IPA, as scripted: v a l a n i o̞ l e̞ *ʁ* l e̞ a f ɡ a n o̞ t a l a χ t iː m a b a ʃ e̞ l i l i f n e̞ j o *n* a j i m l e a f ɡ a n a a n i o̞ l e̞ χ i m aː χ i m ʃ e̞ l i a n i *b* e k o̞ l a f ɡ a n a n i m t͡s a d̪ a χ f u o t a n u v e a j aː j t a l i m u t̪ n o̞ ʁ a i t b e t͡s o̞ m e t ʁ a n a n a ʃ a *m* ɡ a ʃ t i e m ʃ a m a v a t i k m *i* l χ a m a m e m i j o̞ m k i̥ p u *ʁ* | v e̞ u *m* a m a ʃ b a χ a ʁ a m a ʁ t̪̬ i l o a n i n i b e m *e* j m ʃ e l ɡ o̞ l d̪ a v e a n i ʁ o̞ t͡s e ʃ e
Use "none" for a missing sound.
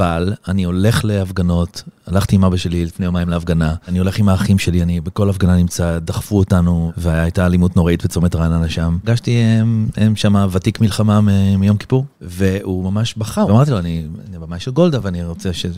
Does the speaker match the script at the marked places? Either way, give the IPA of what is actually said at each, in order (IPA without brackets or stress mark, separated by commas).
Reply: χ, m, b, m, i, ʁ, m, a